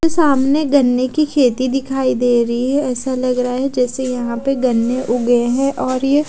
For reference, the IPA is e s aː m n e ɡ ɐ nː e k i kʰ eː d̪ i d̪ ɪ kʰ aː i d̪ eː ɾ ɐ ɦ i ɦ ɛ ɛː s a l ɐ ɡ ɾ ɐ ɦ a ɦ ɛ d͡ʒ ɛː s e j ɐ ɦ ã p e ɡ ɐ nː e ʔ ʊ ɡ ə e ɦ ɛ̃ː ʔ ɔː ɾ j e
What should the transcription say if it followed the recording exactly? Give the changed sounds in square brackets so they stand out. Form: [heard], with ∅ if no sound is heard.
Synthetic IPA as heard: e s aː m n e ɡ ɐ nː e k i kʰ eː [t̪] i d̪ ɪ kʰ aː i d̪ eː ɾ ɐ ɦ i ɦ ɛ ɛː s a l ɐ ɡ ɾ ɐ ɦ a ɦ ɛ d͡ʒ ɛː s e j ɐ ɦ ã p e ɡ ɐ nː e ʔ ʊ ɡ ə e ɦ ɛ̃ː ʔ ɔː ɾ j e